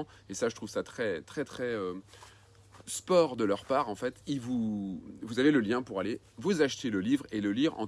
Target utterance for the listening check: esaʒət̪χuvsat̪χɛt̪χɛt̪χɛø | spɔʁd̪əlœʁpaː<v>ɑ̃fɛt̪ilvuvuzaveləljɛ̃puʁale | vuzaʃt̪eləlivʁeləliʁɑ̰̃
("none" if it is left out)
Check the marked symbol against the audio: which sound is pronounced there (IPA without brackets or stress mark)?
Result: ʁ